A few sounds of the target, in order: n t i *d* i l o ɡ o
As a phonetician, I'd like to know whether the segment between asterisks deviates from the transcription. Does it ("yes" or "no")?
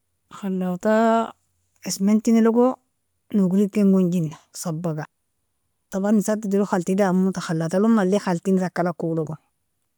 yes